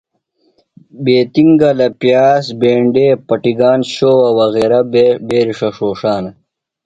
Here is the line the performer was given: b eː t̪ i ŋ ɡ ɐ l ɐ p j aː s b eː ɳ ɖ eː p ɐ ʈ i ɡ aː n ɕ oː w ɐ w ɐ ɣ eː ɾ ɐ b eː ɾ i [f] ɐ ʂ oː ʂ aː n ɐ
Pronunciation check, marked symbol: incorrect: ʂ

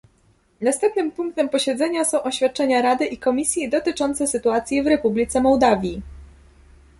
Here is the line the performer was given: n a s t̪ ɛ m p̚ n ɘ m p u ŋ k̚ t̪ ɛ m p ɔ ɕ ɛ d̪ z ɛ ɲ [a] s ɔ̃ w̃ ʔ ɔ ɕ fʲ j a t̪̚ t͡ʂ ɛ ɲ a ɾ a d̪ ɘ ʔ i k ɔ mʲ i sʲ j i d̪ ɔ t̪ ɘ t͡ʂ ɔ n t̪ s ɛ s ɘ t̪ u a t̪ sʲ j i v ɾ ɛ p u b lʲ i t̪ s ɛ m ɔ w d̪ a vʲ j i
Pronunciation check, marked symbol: correct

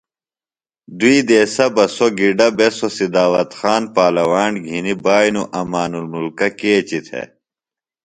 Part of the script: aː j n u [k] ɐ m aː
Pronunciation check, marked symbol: incorrect: ʔ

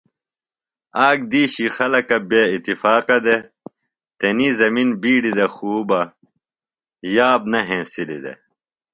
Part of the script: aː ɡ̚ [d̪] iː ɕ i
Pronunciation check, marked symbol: correct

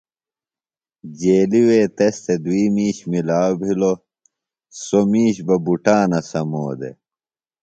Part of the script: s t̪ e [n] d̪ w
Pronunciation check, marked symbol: incorrect: none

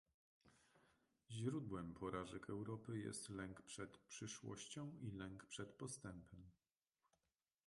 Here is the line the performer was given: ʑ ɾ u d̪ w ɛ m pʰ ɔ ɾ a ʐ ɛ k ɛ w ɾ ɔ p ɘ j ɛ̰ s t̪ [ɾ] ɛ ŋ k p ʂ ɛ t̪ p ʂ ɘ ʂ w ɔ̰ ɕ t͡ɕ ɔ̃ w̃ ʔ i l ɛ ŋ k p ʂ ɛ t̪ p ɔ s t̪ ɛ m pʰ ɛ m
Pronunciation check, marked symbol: incorrect: l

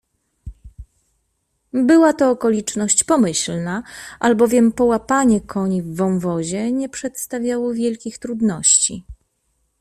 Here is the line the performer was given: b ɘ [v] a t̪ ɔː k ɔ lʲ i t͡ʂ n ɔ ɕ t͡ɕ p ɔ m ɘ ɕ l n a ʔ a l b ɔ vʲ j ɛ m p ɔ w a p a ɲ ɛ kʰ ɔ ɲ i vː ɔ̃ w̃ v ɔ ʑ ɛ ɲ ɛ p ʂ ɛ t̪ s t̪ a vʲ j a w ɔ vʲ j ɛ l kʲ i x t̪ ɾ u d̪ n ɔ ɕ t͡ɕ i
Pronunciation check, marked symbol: incorrect: w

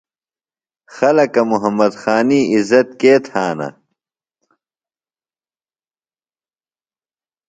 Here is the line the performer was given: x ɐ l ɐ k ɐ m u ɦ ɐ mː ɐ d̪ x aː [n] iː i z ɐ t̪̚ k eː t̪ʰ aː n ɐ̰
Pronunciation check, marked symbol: correct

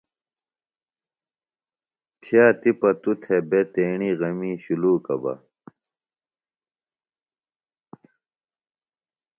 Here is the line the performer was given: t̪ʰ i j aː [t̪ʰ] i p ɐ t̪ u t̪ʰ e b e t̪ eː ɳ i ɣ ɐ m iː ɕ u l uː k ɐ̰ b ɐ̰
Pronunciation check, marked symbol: incorrect: t̪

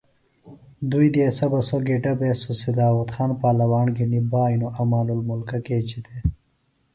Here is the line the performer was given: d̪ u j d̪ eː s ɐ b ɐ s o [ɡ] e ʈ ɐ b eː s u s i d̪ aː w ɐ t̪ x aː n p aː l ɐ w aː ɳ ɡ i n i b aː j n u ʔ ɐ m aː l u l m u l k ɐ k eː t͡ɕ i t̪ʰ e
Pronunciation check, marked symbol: correct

